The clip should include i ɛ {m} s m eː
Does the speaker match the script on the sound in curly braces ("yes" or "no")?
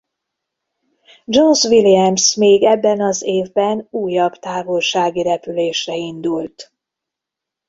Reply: yes